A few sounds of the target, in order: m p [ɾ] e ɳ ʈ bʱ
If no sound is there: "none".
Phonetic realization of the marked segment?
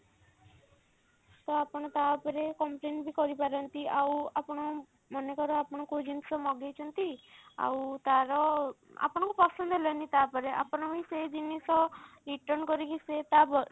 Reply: l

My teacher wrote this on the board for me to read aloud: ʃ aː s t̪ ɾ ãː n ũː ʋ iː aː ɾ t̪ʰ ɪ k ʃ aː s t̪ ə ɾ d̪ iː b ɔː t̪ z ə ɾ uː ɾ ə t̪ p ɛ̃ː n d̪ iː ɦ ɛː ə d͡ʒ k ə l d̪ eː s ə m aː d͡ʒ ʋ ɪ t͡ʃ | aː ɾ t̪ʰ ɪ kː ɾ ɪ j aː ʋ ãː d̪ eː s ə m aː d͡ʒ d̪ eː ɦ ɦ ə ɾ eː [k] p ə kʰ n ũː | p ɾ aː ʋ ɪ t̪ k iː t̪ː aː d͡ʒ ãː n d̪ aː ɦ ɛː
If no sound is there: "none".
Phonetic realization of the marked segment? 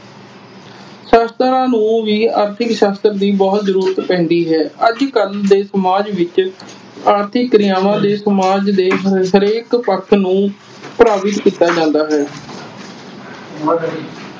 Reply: k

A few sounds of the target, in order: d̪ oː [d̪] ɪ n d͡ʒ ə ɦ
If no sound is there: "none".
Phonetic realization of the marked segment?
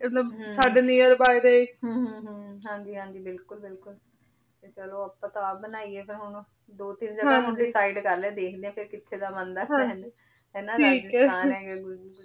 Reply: t̪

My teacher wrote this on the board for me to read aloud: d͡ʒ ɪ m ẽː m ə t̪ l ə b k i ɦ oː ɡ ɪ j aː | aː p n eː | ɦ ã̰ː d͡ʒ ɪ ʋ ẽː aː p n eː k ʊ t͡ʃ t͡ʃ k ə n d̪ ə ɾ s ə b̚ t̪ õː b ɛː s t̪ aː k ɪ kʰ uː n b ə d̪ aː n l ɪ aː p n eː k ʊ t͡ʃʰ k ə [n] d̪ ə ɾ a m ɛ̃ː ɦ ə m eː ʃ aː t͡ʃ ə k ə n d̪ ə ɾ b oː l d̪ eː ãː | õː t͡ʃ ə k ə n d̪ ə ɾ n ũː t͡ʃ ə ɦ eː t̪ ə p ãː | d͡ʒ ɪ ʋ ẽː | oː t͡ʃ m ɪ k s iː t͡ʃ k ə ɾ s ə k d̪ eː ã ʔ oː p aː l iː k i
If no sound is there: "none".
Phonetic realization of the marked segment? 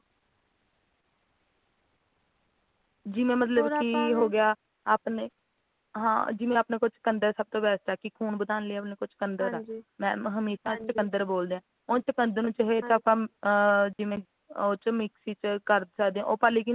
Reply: n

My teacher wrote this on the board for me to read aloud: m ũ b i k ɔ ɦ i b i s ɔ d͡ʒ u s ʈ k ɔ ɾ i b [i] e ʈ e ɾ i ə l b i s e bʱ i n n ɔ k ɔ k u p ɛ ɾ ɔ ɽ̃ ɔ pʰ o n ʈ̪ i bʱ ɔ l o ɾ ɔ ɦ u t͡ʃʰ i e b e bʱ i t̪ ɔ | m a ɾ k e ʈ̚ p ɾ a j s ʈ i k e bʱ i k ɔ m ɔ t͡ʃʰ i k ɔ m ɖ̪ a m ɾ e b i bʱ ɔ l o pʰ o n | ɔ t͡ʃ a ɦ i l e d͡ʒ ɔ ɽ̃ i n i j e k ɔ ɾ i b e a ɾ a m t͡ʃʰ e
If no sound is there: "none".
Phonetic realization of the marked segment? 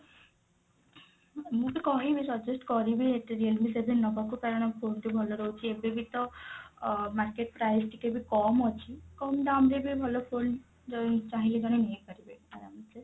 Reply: i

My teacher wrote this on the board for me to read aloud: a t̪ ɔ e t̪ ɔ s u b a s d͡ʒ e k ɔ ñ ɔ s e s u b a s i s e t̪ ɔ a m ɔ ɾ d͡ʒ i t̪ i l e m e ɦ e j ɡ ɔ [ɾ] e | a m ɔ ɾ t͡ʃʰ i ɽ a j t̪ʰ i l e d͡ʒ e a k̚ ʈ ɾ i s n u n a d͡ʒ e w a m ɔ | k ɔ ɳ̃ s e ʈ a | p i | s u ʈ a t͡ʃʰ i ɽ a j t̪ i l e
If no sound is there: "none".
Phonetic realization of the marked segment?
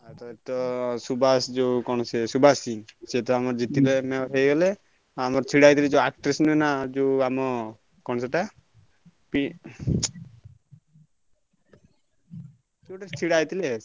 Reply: l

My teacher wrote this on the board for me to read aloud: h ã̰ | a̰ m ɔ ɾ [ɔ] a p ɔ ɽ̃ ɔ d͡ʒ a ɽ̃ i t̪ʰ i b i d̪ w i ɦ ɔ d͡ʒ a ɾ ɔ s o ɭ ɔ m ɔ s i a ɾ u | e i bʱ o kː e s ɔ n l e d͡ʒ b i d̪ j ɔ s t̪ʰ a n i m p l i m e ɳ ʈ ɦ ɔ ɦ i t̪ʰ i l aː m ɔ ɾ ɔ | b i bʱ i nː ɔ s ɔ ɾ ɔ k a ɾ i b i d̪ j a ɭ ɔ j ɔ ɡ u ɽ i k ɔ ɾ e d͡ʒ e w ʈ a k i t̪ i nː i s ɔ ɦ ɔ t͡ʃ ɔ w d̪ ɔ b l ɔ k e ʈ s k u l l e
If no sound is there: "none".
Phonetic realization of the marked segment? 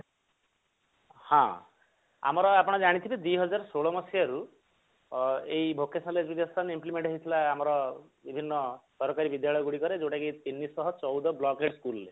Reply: ɔ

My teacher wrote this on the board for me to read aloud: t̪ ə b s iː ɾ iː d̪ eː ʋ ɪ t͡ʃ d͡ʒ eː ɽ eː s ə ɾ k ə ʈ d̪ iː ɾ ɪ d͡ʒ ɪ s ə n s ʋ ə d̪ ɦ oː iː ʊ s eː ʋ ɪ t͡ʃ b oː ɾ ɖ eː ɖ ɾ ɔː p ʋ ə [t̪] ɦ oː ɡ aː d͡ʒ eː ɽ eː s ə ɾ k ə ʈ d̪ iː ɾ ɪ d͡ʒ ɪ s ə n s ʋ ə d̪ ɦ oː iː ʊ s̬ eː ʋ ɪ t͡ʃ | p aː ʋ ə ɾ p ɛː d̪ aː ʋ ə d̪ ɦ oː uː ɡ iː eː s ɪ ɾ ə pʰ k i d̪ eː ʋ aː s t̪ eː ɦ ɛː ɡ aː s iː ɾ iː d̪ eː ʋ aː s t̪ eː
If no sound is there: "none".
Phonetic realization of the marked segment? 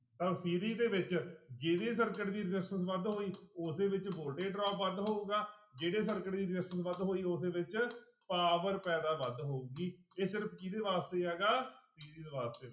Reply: d̪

